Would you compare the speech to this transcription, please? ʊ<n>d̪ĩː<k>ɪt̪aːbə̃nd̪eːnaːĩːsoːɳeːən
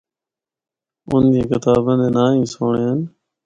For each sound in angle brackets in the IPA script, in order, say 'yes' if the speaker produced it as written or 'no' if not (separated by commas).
yes, yes